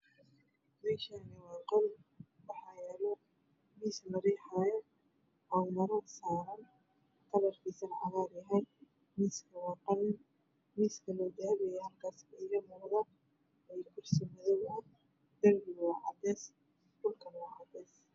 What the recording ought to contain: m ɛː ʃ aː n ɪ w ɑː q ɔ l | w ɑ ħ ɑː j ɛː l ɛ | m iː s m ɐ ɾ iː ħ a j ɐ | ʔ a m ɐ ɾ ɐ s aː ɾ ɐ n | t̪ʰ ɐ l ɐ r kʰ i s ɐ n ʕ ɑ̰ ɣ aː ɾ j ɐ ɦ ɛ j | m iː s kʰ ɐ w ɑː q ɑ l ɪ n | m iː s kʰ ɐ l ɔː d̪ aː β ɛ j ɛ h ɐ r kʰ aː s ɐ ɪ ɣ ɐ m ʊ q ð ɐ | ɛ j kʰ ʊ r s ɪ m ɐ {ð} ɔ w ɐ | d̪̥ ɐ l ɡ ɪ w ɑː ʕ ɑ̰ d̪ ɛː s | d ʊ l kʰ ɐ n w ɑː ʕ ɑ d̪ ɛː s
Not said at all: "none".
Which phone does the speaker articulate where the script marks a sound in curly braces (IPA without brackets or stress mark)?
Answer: ð